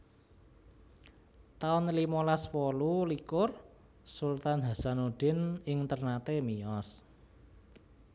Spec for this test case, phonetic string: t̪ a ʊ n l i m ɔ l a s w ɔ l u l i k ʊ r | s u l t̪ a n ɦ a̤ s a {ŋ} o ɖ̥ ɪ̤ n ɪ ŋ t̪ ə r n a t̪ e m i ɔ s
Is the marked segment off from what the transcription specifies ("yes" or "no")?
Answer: yes